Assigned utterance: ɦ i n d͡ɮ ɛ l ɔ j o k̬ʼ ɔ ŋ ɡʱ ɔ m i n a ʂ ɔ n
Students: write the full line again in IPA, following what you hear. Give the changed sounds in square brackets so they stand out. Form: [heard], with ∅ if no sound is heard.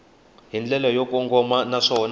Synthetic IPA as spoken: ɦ i n d͡ɮ ɛ l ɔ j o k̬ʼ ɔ ŋ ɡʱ ɔ m [a] n a ʂ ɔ n

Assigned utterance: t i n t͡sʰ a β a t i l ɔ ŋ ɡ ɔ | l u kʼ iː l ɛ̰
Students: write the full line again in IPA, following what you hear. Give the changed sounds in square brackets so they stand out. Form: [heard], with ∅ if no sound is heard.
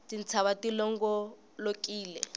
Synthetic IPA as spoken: t i n t͡sʰ a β a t i l ɔ ŋ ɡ ɔ | l [o] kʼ iː l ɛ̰

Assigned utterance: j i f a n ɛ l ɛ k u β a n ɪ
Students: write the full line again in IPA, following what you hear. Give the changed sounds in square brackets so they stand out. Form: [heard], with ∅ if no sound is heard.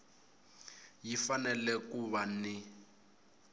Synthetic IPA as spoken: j i f a n ɛ l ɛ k u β a n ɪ

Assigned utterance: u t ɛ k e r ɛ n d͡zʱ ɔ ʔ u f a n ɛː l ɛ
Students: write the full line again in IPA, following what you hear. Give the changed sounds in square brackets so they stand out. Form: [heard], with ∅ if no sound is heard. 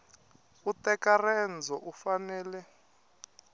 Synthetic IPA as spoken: u t ɛ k [a] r ɛ n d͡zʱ ɔ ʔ u f a n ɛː l ɛ

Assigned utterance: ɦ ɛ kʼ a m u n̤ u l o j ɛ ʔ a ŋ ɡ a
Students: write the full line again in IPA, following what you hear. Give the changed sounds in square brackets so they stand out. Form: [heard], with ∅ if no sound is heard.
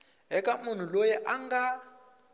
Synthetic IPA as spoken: ɦ ɛ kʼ a m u n̤ u l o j ɛ ʔ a ŋ ɡ a

